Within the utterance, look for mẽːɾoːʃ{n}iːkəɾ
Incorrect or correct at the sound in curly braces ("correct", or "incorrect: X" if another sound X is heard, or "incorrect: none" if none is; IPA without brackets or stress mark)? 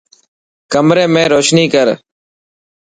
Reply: correct